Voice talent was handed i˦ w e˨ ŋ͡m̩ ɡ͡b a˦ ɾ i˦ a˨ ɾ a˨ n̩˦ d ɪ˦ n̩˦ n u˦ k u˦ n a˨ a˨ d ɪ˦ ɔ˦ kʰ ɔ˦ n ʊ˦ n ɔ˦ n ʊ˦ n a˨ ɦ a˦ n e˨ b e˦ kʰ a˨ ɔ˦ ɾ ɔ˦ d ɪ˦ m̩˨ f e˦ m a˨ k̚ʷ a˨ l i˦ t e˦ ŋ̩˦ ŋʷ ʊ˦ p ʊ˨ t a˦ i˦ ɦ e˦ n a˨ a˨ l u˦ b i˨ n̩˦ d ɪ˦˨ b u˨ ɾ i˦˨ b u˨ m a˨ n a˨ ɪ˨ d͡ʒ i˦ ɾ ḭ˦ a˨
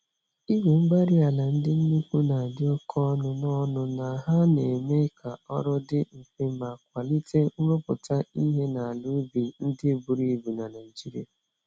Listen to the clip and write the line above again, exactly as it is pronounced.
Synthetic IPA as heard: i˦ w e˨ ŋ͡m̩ ɡ͡b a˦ ɾ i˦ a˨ l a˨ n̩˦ d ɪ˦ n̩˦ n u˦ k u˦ n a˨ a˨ d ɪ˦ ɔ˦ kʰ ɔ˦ n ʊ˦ n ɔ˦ n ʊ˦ n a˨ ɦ a˦ n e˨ m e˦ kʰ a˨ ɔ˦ ɾ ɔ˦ d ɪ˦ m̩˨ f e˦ m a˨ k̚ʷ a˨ l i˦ t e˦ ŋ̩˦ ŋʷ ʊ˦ p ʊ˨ t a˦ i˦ ɦ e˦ n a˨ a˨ l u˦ b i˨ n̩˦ d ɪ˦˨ b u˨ ɾ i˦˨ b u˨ n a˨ n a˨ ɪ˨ d͡ʒ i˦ ɾ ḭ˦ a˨